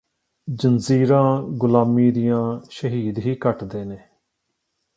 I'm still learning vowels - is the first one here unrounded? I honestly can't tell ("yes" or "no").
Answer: yes